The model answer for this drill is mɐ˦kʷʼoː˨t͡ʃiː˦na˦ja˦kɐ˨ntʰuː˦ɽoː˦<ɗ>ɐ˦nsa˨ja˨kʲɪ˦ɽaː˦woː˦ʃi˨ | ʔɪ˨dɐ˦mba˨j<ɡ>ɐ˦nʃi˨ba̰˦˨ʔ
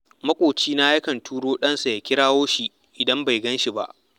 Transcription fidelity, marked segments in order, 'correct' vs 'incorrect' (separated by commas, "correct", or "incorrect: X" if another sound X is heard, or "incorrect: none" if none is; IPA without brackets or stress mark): correct, correct